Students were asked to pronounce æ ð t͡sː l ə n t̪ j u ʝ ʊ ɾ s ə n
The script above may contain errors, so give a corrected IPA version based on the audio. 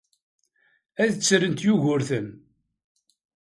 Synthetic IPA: æ ð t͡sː ɾ ə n t̪ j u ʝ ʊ ɾ θ ə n